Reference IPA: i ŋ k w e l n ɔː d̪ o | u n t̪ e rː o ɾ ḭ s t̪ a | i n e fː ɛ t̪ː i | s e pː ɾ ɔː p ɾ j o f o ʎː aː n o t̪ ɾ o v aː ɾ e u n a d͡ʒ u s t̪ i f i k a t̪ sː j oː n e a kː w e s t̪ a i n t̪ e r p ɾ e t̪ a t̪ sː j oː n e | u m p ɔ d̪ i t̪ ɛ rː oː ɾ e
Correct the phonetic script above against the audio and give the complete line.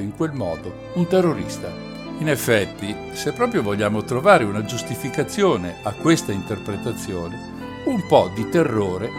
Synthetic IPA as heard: i ŋ k w e l m ɔː d̪ o | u n t̪ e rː o ɾ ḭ s t̪ a | i n e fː ɛ t̪ː i | s e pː ɾ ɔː p ɾ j o v o ʎː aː m o t̪ ɾ o v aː ɾ e u n a d͡ʒ u s t̪ i f i k a t̪ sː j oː n e a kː w e s t̪ a i n t̪ e r p ɾ e t̪ a t̪ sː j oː n e | u m p ɔ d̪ i t̪ e rː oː ɾ e